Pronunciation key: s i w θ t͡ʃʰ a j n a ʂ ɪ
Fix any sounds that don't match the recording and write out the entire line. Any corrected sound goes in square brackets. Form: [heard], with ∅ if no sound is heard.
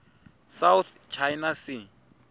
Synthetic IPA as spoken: s [a] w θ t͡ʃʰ a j n a [s] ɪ